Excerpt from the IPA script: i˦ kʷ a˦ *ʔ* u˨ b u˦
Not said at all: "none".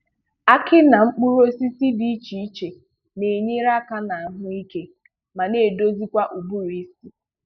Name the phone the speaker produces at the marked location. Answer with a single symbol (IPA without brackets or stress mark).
ʔ